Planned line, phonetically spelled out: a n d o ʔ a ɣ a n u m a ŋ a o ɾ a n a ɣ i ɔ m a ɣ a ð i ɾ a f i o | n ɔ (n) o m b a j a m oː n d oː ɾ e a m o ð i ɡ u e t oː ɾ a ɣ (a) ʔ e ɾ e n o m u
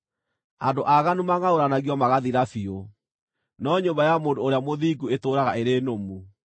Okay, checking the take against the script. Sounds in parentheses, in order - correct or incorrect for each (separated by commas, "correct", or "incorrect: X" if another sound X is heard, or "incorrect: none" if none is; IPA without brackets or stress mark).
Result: incorrect: ɲ, correct